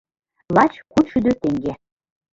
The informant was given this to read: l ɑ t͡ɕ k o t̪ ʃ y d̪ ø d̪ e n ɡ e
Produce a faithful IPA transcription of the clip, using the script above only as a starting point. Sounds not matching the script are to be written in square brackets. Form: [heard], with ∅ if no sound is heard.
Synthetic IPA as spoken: l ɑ t͡ɕ k [u] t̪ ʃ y d̪ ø [t̪] e [ŋ] ɡ e